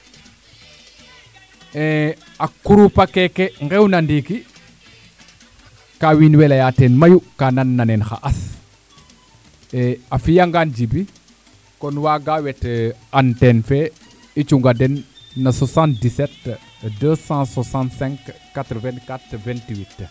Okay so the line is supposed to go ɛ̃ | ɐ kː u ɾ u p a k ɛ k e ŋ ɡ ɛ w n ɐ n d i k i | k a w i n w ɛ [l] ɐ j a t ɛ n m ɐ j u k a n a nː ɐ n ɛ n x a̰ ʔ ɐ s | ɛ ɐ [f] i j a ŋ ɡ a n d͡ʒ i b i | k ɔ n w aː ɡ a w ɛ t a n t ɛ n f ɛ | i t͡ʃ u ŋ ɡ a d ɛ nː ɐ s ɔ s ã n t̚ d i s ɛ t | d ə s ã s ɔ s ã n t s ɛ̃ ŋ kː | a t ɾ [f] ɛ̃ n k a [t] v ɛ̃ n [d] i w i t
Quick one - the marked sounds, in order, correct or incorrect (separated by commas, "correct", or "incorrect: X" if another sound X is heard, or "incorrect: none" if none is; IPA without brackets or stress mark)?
correct, correct, incorrect: v, correct, incorrect: t